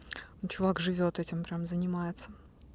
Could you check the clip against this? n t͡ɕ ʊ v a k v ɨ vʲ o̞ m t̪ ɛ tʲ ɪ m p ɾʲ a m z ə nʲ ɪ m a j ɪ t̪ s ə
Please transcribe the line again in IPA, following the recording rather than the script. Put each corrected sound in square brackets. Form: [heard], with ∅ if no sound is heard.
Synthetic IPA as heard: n t͡ɕ ʊ v a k [ʐ] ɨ vʲ o̞ [∅] t̪ ɛ tʲ ɪ m p ɾʲ a m z ə nʲ ɪ m a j ɪ t̪ s ə

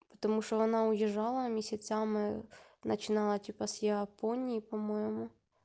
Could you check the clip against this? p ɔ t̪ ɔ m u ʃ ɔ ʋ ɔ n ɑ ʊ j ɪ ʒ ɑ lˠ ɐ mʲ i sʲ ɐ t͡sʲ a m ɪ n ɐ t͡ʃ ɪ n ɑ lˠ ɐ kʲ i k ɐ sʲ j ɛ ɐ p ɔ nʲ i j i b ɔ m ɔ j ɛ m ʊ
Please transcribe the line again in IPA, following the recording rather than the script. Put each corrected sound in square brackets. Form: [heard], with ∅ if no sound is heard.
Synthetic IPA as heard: p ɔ t̪ ɔ m u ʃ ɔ ʋ ɔ n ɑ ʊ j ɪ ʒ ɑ lˠ ɐ mʲ i sʲ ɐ t͡sʲ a m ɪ n ɐ t͡ʃ ɪ n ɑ lˠ ɐ [tʲ] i [p] ɐ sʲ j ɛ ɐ p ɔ nʲ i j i [p] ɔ m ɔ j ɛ m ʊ

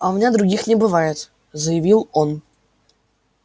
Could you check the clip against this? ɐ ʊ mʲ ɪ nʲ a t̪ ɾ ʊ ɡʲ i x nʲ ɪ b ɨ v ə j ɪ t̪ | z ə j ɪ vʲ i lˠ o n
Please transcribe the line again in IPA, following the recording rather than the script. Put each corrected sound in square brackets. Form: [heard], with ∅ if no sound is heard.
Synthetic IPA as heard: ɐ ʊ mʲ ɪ nʲ a [d̪] ɾ ʊ ɡʲ i x nʲ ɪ b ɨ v [a] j ɪ t̪ | z ə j ɪ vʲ i lˠ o n

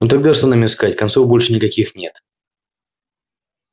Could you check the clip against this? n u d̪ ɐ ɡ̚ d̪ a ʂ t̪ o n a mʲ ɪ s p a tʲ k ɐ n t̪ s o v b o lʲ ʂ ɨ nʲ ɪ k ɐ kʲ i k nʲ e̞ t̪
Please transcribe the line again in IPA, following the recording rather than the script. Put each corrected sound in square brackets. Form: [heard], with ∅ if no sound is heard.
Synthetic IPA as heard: n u [t̪] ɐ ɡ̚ d̪ a ʂ t̪ o n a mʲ ɪ s [k] a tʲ k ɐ n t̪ s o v b o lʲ ʂ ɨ nʲ ɪ k ɐ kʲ i [x] nʲ e̞ t̪

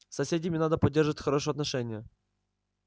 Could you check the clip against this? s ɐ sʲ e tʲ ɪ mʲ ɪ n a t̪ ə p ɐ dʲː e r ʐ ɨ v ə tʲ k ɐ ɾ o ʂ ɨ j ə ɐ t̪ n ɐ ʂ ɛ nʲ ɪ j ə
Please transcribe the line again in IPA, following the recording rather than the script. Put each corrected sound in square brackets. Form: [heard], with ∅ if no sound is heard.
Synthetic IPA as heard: s ɐ sʲ e [dʲ] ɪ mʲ ɪ n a [d̪] ə p ɐ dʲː e r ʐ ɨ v ə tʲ [x] ɐ ɾ o ʂ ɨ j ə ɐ t̪ n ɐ ʂ ɛ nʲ ɪ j ə

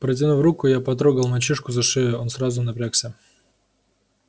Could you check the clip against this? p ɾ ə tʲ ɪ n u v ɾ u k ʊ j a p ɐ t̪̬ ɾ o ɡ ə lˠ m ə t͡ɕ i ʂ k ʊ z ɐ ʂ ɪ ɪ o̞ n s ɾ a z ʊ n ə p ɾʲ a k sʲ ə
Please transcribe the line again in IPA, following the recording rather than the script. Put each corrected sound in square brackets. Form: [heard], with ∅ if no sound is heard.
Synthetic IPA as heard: p ɾ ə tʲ ɪ n u v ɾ u k ʊ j a p ɐ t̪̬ ɾ o ɡ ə lˠ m [ɐ] t͡ɕ i ʂ k ʊ z ɐ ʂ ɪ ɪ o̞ n s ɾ a z ʊ n [ɐ] p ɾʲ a k sʲ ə

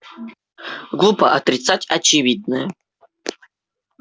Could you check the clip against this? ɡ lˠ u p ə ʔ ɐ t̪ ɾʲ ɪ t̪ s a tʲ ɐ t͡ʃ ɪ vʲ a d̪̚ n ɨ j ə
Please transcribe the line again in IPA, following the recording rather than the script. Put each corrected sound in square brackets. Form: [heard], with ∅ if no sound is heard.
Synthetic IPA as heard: ɡ lˠ u p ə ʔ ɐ t̪ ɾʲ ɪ t̪ s a tʲ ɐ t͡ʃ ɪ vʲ [i] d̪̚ n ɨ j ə

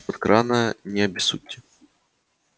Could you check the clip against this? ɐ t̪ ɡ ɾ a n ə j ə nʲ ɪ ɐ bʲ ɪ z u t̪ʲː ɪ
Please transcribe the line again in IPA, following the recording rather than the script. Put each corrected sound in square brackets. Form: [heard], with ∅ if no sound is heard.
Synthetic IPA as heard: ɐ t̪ [k] ɾ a n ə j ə nʲ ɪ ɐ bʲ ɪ [s] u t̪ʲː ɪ

